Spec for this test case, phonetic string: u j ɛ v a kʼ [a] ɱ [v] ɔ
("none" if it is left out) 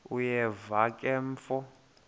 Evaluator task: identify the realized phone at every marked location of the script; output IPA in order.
ɛ, f

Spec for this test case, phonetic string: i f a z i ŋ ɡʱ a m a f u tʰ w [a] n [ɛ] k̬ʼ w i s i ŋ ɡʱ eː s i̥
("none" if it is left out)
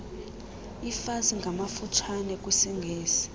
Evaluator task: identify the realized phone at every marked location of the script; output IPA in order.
a, ɛ

